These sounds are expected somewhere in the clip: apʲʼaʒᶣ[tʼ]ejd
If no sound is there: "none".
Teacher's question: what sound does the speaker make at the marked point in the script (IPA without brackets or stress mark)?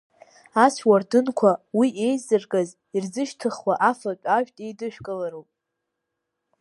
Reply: tʼ